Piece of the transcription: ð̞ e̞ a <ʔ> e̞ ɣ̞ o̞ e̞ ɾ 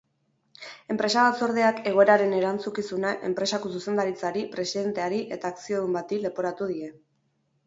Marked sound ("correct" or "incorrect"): incorrect